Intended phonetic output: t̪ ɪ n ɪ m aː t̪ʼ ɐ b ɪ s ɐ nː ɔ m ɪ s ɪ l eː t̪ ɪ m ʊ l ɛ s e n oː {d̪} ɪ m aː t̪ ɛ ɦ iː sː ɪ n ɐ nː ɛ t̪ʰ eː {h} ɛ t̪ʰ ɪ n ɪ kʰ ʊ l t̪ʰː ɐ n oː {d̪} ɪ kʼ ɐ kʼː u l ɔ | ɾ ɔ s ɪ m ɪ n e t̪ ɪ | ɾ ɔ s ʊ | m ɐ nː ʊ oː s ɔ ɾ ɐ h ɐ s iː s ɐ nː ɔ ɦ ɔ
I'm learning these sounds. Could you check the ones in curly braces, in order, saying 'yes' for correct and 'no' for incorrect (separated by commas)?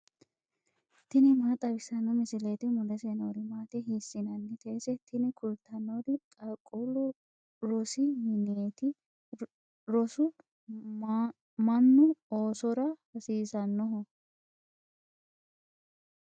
yes, no, yes